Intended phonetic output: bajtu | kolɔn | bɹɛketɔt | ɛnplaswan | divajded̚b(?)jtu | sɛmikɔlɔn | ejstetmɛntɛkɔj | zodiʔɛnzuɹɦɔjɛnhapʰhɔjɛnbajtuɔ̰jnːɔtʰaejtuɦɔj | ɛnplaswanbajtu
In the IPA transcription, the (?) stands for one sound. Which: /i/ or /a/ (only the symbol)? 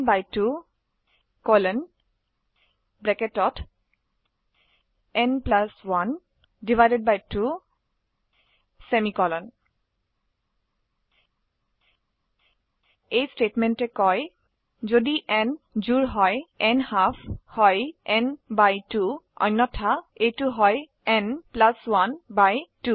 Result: a